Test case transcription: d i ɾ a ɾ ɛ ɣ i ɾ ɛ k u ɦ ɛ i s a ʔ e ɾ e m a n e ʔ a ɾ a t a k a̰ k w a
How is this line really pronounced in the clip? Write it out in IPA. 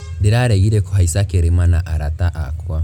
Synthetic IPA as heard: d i ɾ a ɾ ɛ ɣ i ɾ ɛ k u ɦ a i s a k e ɾ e m a n a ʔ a ɾ a t a ʔ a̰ k w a